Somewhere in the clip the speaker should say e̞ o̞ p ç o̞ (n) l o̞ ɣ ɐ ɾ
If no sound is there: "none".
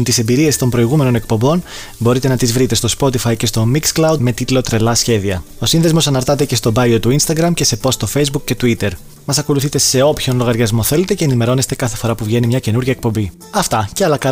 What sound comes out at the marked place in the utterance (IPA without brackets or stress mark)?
n